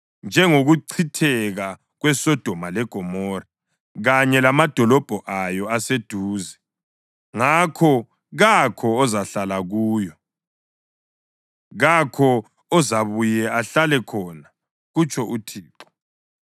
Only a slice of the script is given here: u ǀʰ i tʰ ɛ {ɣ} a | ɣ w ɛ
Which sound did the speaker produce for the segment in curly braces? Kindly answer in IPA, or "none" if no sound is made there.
ɣ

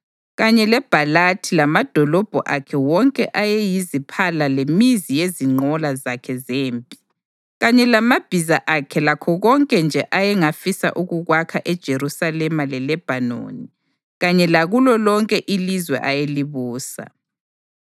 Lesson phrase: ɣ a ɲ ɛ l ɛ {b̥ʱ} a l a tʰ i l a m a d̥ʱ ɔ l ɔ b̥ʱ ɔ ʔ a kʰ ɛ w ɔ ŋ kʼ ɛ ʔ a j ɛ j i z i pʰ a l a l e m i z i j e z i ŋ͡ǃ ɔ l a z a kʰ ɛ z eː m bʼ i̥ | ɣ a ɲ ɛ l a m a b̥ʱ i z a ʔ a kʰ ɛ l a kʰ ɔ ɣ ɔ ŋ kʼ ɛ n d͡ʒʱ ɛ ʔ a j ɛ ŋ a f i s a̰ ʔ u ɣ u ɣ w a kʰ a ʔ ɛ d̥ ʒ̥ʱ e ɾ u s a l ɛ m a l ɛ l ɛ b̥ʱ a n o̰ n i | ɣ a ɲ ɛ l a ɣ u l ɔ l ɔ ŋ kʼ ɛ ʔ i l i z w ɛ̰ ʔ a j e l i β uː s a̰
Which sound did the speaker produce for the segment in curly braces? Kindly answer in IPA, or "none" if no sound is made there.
b̥ʱ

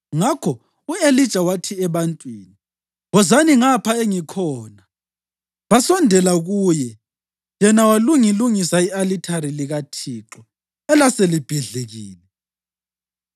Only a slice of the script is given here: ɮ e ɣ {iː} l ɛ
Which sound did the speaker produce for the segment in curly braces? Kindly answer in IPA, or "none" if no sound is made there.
iː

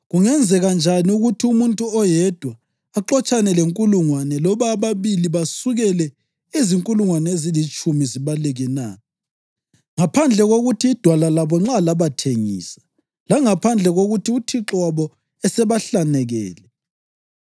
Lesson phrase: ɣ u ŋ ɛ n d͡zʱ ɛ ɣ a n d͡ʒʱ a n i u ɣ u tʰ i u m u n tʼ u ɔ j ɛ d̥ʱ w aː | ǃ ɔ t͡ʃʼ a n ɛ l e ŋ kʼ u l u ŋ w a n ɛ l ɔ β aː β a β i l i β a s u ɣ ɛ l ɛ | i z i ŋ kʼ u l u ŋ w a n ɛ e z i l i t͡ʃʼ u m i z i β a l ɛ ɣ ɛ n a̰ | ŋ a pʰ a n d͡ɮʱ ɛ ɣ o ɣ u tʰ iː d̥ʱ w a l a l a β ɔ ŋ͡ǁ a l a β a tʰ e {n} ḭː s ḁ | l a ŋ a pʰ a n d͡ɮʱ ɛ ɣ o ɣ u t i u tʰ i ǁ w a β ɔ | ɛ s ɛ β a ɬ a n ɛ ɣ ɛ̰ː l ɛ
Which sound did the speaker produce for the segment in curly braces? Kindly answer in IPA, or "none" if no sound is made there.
ŋ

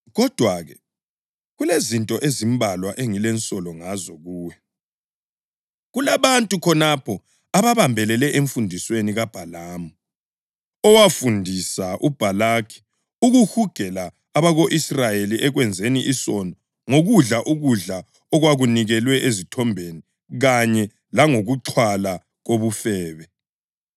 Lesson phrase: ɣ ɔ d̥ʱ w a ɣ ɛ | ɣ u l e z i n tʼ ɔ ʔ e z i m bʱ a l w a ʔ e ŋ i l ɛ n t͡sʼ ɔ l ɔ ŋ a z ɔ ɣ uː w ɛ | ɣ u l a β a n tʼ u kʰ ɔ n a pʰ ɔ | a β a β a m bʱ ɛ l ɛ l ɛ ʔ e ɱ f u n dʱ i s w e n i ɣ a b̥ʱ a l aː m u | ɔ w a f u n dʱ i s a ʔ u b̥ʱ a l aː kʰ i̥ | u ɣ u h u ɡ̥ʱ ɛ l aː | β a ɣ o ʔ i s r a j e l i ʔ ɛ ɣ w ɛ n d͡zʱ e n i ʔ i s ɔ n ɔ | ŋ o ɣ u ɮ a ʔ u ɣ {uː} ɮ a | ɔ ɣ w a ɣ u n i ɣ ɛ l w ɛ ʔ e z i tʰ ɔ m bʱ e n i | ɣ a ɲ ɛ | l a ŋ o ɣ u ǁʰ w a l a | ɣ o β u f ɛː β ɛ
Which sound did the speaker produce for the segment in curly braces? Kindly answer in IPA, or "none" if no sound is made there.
u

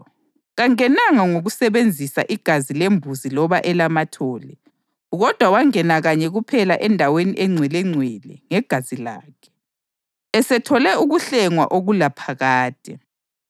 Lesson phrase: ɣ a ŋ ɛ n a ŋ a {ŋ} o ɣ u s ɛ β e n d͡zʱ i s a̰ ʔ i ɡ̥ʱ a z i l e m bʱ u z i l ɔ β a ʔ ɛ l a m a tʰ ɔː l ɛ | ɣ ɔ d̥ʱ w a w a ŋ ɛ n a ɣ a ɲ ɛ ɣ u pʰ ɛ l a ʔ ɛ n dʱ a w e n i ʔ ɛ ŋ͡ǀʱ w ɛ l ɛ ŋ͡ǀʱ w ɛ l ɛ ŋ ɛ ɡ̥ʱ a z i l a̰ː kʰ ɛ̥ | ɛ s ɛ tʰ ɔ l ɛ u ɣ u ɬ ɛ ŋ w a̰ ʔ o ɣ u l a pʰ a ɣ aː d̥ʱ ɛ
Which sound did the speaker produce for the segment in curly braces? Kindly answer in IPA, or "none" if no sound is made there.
ŋ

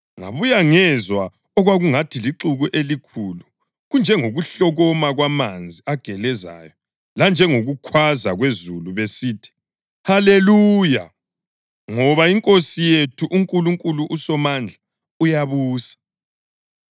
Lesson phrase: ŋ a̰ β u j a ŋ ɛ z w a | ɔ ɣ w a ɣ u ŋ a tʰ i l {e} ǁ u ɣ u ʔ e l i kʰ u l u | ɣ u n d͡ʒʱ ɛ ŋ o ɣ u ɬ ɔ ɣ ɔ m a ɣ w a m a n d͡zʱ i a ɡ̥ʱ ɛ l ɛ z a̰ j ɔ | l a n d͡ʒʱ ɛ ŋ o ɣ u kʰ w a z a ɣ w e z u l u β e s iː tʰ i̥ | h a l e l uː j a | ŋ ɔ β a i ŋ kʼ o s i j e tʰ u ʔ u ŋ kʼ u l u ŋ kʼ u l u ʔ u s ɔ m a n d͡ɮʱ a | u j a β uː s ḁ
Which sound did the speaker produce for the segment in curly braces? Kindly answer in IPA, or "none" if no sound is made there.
i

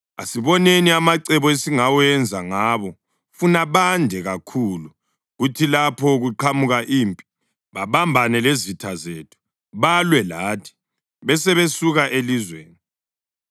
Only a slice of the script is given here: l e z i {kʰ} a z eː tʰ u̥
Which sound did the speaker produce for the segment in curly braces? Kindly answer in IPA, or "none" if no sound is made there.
tʰ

